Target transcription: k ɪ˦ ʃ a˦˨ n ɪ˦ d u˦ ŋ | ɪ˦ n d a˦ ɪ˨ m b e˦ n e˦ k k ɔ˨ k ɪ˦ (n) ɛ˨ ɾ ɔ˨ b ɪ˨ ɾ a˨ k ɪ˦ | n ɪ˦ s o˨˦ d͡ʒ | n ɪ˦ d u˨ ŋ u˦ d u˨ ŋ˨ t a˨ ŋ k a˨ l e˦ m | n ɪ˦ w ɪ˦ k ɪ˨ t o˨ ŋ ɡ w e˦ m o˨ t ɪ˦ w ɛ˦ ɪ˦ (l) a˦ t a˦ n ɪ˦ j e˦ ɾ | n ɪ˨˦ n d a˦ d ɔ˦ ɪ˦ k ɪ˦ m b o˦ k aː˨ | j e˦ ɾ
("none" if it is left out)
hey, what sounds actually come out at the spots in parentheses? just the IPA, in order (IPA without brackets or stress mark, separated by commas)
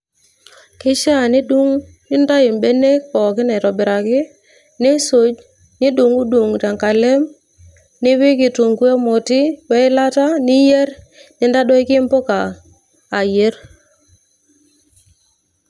n, l